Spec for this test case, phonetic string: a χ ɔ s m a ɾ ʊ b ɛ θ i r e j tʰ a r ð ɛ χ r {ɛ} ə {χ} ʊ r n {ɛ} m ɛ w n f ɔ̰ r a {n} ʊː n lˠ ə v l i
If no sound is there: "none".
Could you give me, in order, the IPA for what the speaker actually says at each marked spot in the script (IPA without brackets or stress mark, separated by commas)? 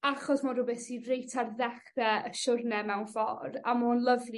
ɛ, ʃ, ɛ, m